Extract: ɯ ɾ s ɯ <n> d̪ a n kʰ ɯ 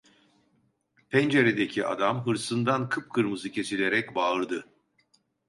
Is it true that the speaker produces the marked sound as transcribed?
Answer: yes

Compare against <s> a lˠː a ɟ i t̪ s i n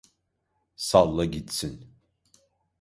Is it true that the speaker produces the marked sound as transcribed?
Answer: yes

